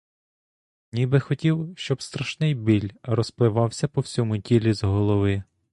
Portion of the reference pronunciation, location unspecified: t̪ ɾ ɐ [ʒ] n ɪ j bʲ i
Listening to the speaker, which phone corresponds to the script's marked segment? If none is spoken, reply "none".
ʃ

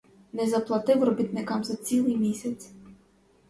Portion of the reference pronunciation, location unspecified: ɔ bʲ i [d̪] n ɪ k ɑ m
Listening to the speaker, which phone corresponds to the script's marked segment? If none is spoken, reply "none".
t̪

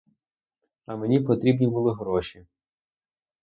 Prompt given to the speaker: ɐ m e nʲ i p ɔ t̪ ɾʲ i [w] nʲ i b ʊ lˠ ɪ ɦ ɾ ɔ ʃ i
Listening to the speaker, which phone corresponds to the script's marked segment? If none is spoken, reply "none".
b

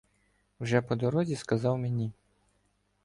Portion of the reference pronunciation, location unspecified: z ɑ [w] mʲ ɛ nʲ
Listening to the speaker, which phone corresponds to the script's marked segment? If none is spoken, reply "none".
w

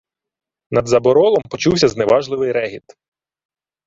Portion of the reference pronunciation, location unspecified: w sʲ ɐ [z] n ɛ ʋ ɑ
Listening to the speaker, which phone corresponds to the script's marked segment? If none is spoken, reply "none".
z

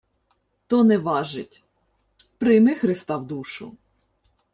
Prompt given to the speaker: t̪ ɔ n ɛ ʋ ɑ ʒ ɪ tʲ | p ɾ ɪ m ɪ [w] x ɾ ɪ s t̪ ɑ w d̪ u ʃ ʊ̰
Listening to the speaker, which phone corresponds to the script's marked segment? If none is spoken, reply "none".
none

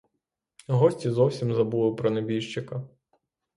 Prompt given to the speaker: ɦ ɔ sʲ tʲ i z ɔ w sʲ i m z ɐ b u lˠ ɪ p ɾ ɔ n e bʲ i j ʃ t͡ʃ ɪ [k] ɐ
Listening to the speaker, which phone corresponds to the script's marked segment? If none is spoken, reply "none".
k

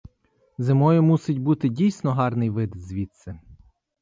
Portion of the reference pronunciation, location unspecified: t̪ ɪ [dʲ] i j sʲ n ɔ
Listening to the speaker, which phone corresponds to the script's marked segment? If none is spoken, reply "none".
dʲ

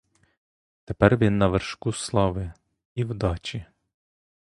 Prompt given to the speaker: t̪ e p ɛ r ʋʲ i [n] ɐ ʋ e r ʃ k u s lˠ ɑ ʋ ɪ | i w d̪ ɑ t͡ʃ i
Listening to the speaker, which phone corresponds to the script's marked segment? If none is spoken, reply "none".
nː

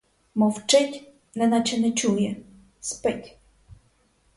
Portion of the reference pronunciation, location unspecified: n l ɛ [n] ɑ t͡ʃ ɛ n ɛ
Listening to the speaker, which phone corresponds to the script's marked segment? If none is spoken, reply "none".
n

